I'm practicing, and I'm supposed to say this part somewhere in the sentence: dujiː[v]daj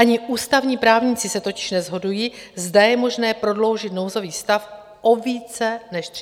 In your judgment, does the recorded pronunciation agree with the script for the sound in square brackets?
no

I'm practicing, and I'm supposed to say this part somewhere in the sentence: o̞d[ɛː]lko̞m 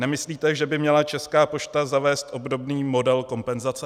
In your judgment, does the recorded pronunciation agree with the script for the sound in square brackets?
no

